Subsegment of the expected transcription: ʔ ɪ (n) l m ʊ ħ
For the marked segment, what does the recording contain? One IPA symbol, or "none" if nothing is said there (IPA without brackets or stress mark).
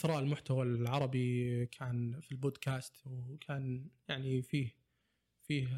none